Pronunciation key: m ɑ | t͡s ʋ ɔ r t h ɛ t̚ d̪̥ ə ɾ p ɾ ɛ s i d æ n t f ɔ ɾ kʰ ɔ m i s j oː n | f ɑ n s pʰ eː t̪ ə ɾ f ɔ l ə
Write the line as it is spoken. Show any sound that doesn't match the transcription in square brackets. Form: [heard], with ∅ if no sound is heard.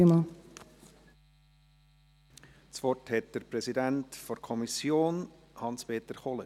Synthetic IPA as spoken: m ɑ | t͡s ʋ ɔ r t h ɛ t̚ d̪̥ ə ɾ p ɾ ɛ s i d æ n t f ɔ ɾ kʰ ɔ m i s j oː n | [h] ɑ n s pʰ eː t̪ ə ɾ [χ] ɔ l ə